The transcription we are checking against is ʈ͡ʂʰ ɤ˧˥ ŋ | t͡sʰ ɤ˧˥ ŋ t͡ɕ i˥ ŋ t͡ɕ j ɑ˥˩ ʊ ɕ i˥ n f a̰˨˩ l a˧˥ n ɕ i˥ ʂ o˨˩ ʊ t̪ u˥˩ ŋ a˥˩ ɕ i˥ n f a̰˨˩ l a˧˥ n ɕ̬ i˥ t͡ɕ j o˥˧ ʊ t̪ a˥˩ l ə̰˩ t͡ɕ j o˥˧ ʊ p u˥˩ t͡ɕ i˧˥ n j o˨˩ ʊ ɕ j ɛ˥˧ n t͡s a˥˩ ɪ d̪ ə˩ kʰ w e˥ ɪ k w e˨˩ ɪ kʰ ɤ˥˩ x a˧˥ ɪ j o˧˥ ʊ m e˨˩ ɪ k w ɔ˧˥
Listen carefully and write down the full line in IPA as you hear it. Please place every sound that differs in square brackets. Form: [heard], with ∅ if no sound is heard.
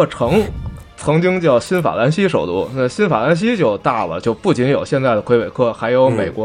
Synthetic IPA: ʈ͡ʂʰ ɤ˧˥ ŋ | t͡sʰ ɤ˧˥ ŋ t͡ɕ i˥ ŋ t͡ɕ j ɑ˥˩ ʊ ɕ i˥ n f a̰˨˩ l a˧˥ n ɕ i˥ ʂ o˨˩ ʊ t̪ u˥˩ [n] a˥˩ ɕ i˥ n f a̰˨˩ l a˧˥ n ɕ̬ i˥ t͡ɕ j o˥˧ ʊ t̪ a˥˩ l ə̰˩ t͡ɕ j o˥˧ ʊ p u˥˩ t͡ɕ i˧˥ n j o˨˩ ʊ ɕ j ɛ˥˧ n t͡s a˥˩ ɪ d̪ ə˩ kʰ w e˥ ɪ [∅] w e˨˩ ɪ kʰ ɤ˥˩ x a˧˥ ɪ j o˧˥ ʊ m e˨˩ ɪ k w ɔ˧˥